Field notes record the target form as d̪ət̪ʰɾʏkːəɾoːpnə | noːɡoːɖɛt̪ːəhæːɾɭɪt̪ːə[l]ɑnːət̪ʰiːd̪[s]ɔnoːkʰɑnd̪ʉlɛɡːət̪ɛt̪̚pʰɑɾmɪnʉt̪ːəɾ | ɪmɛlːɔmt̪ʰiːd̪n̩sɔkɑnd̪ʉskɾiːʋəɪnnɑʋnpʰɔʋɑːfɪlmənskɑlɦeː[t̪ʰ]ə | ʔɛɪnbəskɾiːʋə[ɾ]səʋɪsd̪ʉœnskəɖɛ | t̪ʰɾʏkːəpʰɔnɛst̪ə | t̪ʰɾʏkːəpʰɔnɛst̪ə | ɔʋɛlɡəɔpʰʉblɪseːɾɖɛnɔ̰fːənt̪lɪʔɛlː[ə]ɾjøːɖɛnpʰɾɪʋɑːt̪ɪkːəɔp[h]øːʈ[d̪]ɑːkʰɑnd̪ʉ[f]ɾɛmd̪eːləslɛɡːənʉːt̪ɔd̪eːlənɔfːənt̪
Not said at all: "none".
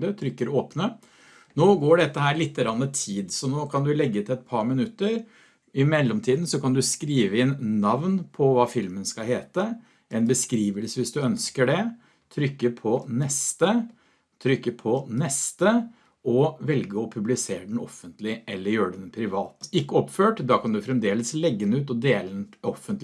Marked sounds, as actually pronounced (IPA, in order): ɾ, s, t̪, l, ə, f, d̪, f

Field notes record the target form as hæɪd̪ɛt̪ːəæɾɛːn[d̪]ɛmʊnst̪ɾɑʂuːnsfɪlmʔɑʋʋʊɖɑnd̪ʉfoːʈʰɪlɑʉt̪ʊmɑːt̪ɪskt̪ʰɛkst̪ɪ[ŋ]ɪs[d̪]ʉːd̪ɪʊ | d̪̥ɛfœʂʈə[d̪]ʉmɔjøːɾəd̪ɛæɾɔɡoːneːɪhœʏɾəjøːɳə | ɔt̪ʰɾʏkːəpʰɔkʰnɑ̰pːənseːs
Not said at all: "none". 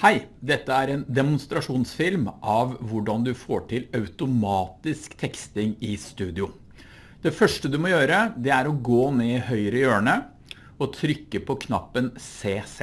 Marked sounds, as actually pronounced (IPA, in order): d̪, ŋ, t̪, d̪

